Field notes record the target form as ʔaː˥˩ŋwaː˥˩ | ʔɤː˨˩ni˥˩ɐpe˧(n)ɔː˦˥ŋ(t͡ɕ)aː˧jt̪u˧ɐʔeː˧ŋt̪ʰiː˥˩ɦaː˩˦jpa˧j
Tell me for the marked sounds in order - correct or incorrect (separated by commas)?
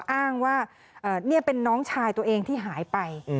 incorrect, incorrect